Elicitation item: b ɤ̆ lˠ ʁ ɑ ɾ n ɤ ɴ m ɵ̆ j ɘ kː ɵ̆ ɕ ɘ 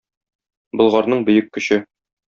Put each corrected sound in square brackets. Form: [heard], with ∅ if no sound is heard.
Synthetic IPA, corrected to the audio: b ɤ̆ lˠ ʁ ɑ ɾ n ɤ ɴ [b] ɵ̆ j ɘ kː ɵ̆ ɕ ɘ